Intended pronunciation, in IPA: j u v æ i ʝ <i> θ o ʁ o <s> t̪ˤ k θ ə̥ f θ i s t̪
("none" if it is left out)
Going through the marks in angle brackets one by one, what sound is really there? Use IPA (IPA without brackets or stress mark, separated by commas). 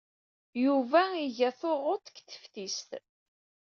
æ, none